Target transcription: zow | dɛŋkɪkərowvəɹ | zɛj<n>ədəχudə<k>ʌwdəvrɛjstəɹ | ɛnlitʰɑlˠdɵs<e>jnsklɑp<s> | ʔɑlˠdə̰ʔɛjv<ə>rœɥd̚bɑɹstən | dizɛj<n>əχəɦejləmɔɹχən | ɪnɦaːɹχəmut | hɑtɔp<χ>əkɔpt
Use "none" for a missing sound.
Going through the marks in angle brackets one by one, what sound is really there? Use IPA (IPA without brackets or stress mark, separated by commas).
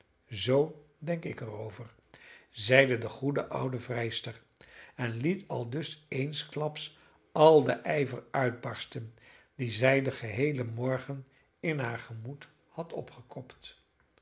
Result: d, ʔ, e, s, ə, d, χ